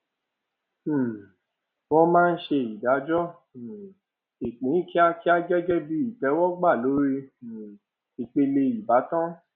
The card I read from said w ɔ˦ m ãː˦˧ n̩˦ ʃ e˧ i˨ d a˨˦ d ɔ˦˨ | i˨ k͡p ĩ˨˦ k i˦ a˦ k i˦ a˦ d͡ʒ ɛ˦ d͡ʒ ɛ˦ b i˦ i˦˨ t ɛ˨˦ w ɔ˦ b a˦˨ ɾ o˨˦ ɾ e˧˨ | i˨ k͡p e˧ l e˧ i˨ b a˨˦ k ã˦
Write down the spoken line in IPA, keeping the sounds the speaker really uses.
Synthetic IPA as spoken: w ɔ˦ m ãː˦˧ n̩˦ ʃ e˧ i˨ d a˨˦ d͡ʒ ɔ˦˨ | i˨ k͡p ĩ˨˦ k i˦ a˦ k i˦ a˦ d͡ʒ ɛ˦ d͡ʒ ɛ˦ b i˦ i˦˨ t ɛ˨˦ w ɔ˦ ɡ͡b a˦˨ l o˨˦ ɾ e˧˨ | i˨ k͡p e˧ l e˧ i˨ b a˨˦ t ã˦